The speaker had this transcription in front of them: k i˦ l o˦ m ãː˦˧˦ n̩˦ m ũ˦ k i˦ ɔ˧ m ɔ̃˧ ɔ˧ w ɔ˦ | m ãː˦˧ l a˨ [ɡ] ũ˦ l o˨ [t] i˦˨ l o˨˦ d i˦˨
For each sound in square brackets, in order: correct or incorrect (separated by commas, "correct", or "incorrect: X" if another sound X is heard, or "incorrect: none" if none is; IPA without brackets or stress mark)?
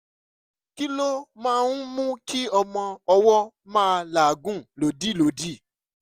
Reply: correct, incorrect: d